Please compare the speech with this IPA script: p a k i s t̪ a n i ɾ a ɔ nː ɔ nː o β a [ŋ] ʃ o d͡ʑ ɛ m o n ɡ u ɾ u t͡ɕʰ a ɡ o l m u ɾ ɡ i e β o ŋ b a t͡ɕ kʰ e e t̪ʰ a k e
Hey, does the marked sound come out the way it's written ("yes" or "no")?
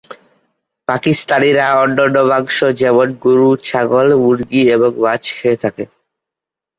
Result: yes